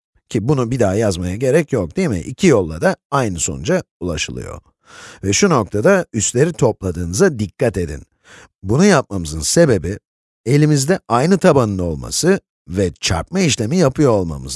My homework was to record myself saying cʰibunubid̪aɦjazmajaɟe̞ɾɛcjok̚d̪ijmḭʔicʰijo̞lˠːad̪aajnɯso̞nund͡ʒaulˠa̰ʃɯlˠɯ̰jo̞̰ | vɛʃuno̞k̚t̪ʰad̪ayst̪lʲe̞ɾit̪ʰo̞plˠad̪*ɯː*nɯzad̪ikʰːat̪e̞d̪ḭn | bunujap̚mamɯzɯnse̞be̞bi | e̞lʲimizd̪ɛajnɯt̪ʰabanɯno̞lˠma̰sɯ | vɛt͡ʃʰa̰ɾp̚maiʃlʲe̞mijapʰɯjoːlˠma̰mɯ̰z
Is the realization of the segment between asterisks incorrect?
no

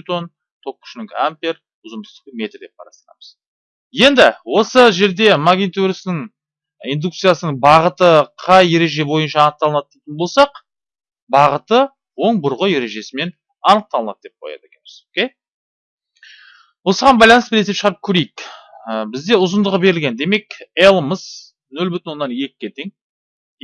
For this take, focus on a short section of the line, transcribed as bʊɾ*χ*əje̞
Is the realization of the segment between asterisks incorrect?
yes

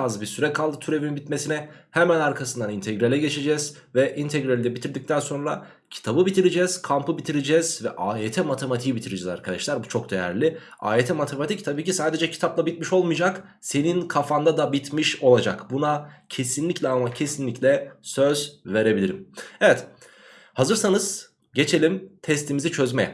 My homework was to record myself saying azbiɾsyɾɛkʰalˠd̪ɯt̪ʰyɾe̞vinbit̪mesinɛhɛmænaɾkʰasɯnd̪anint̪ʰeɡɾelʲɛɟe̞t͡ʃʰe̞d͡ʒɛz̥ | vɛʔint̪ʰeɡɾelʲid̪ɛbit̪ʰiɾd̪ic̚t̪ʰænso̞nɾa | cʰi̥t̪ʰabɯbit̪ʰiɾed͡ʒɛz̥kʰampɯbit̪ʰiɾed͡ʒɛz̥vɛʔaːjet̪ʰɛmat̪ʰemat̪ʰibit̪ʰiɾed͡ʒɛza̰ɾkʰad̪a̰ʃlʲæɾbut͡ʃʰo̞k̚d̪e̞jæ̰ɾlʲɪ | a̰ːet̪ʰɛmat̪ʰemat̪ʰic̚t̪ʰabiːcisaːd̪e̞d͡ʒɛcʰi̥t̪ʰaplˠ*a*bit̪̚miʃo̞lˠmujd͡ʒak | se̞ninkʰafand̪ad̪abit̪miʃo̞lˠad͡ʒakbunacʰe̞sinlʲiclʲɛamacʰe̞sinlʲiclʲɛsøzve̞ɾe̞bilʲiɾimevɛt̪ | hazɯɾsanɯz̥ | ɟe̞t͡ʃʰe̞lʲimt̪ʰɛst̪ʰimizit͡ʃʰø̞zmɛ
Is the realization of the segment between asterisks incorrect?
no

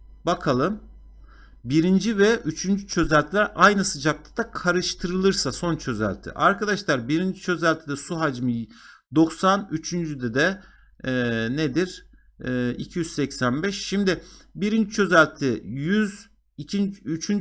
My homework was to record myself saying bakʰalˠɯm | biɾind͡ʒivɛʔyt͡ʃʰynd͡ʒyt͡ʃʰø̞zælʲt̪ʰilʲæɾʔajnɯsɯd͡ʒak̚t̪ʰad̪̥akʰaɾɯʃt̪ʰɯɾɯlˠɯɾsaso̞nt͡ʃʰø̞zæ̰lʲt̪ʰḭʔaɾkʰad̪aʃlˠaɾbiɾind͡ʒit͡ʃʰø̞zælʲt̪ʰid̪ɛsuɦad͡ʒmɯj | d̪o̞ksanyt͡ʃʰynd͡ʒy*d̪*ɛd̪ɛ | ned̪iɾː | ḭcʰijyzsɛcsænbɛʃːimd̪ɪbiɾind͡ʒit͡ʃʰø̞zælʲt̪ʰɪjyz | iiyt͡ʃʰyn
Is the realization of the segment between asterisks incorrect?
no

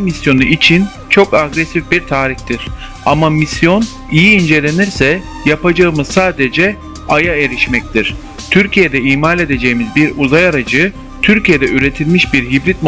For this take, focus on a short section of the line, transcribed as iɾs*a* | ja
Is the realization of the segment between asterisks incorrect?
yes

